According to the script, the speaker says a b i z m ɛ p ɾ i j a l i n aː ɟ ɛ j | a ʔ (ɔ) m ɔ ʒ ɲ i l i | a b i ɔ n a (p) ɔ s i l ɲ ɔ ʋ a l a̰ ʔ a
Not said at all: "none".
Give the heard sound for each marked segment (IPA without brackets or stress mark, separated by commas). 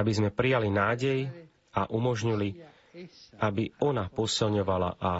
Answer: u, p